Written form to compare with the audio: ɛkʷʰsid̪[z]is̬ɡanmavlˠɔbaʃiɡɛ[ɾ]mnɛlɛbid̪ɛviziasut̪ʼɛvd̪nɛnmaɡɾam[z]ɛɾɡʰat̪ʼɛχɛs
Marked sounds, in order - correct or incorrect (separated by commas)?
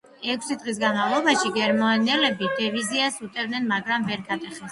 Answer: incorrect, correct, incorrect